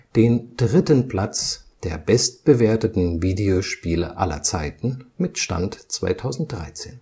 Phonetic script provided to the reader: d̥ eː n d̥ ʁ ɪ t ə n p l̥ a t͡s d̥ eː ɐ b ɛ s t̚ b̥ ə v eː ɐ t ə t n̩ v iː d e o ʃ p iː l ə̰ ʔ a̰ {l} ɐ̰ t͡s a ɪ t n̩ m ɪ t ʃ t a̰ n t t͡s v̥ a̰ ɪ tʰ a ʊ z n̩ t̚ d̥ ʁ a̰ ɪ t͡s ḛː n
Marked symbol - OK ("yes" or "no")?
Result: yes